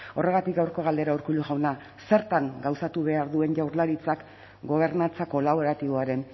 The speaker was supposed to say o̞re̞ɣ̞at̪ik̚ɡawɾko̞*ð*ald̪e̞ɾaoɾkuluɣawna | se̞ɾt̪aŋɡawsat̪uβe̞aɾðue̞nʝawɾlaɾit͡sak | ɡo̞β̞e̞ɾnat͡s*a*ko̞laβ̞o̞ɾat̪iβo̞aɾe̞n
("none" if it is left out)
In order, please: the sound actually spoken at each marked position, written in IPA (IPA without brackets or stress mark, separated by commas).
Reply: ɣ, a